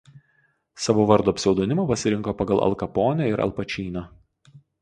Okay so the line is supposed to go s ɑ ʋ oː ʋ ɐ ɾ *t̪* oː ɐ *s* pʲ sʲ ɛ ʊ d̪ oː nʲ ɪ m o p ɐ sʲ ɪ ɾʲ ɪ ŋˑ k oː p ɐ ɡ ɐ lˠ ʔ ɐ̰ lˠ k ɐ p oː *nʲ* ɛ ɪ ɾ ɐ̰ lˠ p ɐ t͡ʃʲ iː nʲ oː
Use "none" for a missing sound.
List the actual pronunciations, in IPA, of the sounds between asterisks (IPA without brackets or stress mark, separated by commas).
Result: d̪, none, nʲ